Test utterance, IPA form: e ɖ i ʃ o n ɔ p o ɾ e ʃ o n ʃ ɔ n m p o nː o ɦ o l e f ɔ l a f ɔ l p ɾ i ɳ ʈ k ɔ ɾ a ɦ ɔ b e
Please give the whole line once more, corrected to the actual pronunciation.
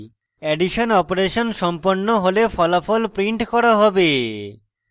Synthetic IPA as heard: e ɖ i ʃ o n ɔ p o ɾ e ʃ o n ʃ ɔ m p o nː o ɦ o l e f ɔ l a f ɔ l p ɾ i ɳ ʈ k ɔ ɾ a ɦ ɔ b e